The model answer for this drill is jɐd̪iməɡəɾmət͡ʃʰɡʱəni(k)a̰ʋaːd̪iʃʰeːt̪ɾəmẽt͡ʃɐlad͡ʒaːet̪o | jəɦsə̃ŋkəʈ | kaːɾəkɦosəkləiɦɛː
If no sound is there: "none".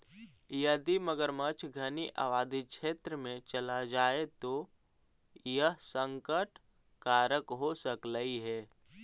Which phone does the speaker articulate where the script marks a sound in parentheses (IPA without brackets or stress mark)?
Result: ʔ